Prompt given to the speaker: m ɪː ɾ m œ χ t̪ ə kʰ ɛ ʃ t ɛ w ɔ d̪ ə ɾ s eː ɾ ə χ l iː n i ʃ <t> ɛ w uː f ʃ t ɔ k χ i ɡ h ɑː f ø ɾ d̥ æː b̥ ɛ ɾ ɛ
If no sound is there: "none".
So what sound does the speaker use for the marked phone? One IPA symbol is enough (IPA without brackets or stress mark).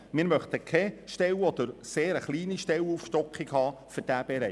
t